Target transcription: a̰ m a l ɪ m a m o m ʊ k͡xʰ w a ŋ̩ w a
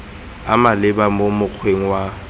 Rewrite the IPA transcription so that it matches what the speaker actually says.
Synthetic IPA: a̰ m a l ɪ b a m o m ʊ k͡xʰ w e ŋ̩ w a

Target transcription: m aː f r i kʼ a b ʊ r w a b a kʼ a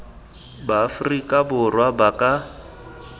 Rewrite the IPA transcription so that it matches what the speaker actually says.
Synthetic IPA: b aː f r i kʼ a b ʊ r w a b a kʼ a

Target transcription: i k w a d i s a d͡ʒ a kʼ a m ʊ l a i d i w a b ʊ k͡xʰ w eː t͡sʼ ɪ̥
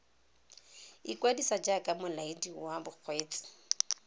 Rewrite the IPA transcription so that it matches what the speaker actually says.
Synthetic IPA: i k w a d i s a d͡ʒ a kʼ a m ʊ l a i d i w a b ʊ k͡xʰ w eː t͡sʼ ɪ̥

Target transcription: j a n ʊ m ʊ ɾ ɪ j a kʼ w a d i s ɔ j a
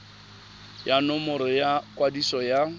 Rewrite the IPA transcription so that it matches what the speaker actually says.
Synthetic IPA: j a n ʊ m ʊ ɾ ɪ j a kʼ w a d i s ɔ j a

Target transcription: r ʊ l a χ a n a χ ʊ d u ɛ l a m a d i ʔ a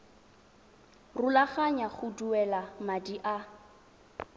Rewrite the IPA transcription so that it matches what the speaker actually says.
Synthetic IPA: r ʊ l a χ a ɲ a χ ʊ d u ɛ l a m a d i ʔ a

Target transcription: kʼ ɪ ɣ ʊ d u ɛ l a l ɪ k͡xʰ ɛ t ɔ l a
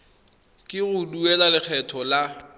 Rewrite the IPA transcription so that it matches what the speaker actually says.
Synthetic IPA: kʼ ɪ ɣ ʊ d u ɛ l a l ɪ k͡xʰ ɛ tʰ ɔ l a

